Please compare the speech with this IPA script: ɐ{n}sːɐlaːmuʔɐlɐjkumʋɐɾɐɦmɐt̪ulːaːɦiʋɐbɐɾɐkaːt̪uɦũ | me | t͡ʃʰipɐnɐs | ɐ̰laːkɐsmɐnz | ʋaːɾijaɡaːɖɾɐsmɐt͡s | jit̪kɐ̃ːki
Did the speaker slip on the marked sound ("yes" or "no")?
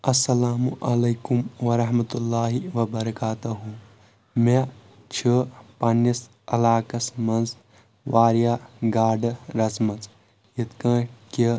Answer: yes